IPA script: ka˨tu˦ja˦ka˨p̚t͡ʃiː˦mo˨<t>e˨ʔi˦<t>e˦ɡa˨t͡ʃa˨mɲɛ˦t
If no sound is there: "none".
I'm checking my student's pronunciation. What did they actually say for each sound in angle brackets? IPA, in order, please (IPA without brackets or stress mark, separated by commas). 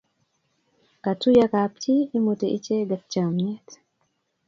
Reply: t, t͡ʃ